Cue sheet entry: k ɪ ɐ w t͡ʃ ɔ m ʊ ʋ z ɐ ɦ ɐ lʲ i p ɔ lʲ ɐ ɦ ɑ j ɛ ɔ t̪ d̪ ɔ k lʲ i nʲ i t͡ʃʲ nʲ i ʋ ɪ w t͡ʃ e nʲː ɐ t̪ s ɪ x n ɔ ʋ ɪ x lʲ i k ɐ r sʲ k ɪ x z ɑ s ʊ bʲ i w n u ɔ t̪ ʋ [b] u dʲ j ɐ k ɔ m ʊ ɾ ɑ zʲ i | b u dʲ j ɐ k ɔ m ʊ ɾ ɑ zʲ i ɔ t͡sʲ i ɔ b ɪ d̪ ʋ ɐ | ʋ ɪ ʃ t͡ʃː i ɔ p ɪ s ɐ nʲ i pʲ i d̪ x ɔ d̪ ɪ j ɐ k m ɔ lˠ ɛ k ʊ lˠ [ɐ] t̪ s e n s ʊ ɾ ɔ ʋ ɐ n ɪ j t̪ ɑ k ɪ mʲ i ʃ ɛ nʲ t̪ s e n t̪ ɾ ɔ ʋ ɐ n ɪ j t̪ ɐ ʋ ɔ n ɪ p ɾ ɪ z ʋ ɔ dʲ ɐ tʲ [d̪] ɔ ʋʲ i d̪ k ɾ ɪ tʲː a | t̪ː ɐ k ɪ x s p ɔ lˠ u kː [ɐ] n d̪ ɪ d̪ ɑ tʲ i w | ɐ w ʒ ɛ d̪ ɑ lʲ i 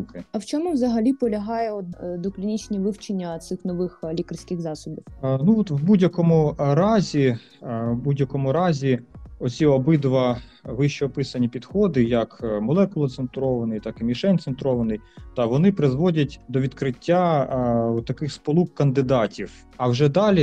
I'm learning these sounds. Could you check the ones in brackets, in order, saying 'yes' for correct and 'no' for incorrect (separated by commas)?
yes, yes, yes, yes